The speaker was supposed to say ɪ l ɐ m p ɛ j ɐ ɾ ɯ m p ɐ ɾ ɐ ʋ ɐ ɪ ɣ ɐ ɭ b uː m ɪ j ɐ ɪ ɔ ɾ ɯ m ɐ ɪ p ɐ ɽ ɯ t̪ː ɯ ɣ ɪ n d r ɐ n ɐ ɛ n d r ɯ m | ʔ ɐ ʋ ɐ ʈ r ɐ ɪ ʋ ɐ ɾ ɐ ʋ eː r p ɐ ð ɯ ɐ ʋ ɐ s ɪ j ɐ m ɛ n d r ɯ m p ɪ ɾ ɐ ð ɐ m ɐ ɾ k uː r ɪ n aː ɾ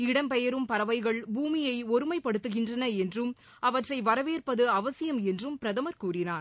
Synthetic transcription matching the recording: ɪ ɽ ɐ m p ɛ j ɐ ɾ ɯ m p ɐ ɾ ɐ ʋ ɐ ɪ ɣ ɐ ɭ b uː m ɪ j ɐ ɪ ɔ ɾ ɯ m ɐ ɪ p ɐ ɽ ɯ t̪ː ɯ ɣ ɪ n d r ɐ n ɐ ɛ n d r ɯ m | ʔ ɐ ʋ ɐ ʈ r ɐ ɪ ʋ ɐ ɾ ɐ ʋ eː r p ɐ ð ɯ ɐ ʋ ɐ s ɪ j ɐ m ɛ n d r ɯ m p ɪ ɾ ɐ ð ɐ m ɐ ɾ k uː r ɪ n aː ɾ